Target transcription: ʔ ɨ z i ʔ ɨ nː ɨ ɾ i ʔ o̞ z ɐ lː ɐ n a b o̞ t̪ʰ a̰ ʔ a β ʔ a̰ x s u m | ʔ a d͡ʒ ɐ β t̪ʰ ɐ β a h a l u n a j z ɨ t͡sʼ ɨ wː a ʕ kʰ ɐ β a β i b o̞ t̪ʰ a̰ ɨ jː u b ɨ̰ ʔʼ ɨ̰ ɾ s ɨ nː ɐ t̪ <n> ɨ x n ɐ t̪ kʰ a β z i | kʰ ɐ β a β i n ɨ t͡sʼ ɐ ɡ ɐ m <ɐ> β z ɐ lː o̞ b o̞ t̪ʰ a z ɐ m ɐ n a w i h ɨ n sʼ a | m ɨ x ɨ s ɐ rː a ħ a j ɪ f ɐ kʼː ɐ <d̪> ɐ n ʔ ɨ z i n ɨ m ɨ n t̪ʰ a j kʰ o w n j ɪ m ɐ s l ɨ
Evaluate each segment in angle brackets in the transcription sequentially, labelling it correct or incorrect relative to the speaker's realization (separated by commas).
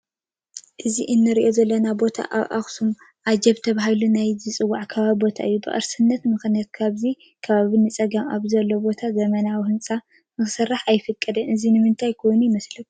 incorrect, incorrect, correct